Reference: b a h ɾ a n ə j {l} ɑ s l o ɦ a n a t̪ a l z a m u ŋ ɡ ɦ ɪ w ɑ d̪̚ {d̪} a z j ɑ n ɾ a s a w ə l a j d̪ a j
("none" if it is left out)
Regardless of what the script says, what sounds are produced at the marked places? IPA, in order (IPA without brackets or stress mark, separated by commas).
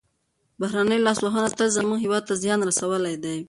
l, t̪